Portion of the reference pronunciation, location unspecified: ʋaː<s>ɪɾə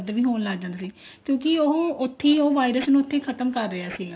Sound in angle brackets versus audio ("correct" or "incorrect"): incorrect